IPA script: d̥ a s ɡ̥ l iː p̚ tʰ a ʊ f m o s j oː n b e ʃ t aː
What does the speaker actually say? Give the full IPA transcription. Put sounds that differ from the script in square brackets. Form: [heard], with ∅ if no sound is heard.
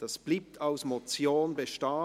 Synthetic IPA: d̥ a s [b̥] l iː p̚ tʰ a ʊ [s] m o [t͡s] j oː n b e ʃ t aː